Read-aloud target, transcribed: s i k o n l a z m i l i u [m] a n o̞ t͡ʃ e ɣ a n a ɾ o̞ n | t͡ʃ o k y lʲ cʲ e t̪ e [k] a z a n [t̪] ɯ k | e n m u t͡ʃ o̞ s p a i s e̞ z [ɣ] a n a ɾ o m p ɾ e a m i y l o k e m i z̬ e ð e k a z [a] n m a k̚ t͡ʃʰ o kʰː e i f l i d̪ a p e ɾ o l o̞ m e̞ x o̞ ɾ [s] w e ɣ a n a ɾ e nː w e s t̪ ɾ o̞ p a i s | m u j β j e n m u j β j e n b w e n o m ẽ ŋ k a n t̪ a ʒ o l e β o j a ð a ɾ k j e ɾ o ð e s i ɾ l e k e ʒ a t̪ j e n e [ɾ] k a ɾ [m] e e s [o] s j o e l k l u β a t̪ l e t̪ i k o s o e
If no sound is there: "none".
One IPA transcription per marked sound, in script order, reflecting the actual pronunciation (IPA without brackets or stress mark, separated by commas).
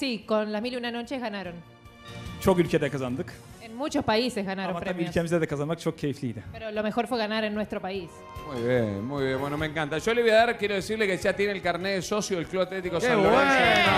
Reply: n, k, d̪, ɣ, a, f, l, n, o